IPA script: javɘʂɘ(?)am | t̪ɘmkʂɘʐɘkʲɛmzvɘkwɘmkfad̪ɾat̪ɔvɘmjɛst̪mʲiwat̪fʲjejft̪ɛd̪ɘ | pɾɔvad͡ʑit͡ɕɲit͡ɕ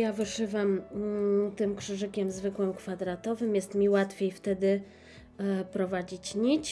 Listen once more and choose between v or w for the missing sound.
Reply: v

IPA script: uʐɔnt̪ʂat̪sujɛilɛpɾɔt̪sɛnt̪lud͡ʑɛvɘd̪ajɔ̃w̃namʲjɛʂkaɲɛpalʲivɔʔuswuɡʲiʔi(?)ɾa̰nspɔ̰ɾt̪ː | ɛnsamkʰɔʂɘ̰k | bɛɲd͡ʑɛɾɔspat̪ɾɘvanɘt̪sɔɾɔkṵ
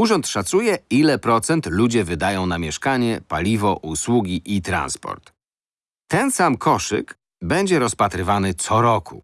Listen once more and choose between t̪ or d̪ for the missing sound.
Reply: t̪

